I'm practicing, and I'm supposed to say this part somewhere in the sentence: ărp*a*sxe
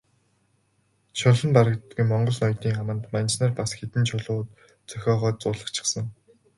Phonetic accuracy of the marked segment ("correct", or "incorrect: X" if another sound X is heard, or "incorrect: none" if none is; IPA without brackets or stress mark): correct